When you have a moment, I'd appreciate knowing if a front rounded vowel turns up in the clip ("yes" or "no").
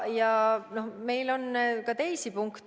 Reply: no